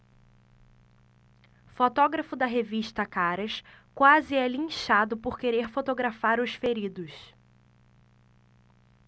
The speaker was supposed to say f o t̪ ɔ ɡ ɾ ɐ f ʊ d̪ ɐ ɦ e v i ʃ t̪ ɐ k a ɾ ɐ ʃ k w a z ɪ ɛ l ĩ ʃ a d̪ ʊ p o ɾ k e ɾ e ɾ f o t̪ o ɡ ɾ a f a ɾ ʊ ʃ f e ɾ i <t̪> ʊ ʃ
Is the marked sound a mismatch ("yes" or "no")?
yes